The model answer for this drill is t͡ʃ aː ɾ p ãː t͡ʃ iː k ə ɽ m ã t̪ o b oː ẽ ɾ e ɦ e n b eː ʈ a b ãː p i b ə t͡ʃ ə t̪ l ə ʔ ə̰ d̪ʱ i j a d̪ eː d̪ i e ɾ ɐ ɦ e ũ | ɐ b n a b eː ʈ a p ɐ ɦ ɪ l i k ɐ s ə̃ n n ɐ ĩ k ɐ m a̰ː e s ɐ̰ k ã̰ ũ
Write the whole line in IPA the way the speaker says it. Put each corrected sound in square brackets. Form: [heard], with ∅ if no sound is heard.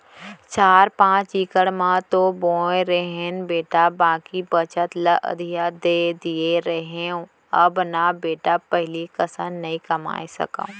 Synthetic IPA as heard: t͡ʃ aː ɾ p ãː t͡ʃ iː k ə ɽ m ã t̪ o b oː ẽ ɾ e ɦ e n b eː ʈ a b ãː [k] i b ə t͡ʃ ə t̪ l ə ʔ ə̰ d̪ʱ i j a d̪ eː d̪ i e ɾ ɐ ɦ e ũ | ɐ b n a b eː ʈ a p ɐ ɦ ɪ l i k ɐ s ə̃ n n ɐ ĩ k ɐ m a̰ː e s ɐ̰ k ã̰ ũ